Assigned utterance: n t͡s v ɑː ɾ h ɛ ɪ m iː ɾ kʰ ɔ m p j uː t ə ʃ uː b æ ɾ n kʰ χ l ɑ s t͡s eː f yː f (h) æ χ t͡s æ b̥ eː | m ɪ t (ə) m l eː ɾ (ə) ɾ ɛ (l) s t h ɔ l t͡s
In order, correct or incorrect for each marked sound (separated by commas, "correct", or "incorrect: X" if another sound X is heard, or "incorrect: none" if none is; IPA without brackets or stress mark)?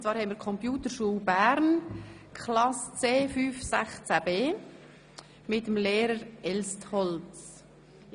incorrect: s, correct, correct, correct